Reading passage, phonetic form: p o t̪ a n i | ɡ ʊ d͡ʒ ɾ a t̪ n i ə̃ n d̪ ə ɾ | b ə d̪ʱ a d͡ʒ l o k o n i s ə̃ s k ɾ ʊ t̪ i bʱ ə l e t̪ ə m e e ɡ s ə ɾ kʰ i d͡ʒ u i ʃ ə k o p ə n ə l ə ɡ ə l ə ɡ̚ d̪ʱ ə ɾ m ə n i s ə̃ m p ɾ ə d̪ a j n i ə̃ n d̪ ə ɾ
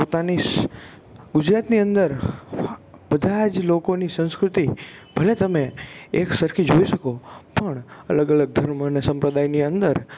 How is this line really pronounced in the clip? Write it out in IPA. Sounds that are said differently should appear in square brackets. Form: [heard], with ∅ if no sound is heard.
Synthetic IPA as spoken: p o t̪ a n i | ɡ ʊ d͡ʒ ɾ a t̪ n i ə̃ n d̪ ə ɾ | b ə d̪ʱ a d͡ʒ l o k o n i s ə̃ s k ɾ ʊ t̪ i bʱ ə l e t̪ ə m e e [k] s ə ɾ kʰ i d͡ʒ [o] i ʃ ə k o p ə [ɳ] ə l ə ɡ ə l ə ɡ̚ d̪ʱ ə ɾ m ə n [e] s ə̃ m p ɾ ə d̪ a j n i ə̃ n d̪ ə ɾ